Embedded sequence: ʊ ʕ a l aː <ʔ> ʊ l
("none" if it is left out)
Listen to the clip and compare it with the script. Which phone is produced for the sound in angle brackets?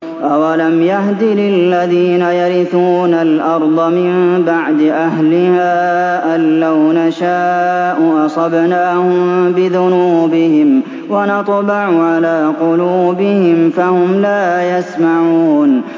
q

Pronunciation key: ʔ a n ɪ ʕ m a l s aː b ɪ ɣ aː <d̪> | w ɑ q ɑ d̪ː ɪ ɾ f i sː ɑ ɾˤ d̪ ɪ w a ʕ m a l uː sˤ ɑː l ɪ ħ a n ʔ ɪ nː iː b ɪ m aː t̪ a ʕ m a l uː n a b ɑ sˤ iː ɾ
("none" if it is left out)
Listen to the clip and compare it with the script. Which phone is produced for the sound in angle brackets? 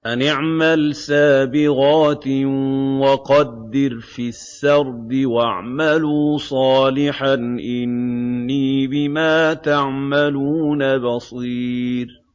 t̪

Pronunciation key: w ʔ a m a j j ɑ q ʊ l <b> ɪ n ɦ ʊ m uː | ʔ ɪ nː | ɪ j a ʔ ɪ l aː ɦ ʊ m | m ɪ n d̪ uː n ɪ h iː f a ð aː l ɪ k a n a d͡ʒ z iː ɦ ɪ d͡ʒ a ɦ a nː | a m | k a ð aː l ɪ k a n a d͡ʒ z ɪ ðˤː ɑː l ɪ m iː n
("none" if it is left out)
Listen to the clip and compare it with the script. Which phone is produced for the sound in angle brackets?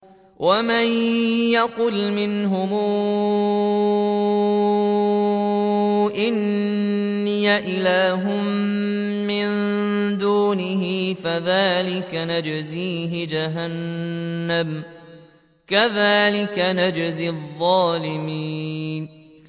m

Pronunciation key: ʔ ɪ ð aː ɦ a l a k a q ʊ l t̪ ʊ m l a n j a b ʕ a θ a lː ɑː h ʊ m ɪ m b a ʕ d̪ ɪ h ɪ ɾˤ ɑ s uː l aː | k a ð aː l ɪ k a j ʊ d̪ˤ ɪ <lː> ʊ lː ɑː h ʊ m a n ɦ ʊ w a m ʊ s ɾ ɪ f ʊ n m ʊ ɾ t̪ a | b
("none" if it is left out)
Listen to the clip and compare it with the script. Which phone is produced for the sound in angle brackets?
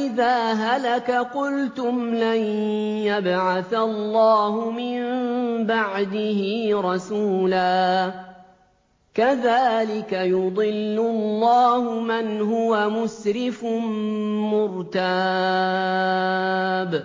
lː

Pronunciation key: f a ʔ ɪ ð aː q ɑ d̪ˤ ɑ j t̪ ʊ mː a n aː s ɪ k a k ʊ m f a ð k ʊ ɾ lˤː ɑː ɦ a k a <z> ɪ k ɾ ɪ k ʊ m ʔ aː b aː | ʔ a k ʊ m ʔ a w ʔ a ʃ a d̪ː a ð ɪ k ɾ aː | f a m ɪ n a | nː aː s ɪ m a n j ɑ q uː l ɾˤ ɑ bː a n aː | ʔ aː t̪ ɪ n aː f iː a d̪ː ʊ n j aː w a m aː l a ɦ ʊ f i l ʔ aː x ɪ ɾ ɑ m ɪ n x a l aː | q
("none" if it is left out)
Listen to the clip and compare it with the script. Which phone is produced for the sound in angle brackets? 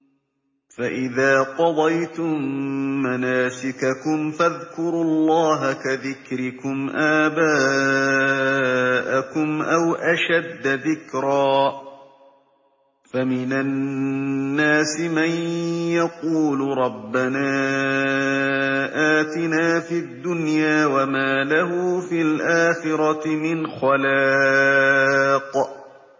ð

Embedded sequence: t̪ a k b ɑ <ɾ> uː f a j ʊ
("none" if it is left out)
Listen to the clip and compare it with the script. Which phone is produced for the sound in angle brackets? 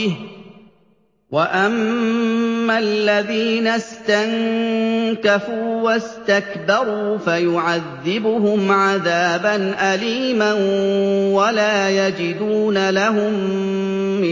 ɾ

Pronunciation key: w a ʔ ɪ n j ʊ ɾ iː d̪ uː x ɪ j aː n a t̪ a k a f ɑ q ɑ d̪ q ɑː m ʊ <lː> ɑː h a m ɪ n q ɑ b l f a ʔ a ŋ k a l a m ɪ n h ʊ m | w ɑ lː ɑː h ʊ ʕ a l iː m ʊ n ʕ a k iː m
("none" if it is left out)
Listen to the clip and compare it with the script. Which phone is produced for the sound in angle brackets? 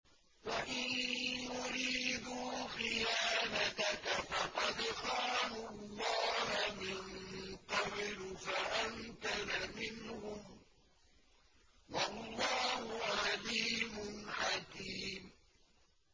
lː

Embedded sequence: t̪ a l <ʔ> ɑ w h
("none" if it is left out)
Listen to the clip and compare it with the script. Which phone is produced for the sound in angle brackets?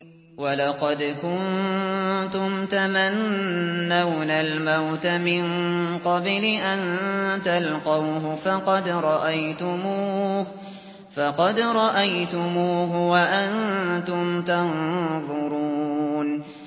q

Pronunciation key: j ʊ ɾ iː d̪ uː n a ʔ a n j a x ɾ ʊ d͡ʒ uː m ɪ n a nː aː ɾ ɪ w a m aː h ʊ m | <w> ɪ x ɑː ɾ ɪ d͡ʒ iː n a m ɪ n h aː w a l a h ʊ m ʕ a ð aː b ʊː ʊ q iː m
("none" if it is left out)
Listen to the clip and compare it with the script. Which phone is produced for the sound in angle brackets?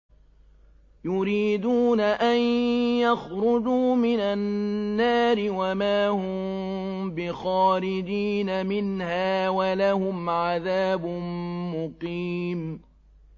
b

